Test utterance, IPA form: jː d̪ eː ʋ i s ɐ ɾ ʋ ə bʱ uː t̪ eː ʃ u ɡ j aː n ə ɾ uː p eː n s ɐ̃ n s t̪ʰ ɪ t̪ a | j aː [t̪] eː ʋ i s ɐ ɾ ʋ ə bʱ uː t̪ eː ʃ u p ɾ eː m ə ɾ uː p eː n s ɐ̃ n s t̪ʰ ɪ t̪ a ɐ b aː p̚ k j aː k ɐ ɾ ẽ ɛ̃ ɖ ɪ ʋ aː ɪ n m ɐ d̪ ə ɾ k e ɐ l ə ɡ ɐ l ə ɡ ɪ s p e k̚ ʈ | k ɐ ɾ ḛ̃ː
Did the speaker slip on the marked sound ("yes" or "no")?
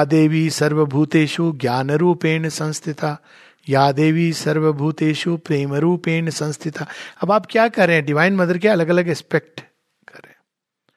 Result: yes